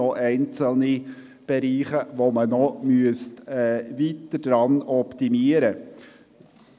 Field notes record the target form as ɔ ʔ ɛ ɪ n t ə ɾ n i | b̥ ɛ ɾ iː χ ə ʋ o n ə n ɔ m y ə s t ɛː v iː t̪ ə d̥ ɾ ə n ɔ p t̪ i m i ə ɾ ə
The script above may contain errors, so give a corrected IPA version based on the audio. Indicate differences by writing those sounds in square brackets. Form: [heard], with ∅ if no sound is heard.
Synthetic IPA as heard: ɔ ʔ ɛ ɪ n [t͡s] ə [l] n i | b̥ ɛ ɾ iː χ ə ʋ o [m] ə n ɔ m y ə s t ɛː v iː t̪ ə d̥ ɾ [ɑ] n ɔ p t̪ i m i ə ɾ ə